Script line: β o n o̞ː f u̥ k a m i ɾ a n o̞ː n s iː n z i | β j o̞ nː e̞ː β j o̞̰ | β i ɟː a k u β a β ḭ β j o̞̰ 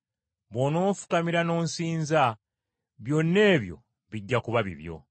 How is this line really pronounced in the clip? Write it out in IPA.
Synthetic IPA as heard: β o n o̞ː f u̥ k a m i ɾ a n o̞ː n s iː n z a | β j o̞ nː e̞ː β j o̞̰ | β i ɟː a k u β a β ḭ β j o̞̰